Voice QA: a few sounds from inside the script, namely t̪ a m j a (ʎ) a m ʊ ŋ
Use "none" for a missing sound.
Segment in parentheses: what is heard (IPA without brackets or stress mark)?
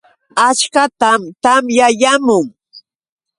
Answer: j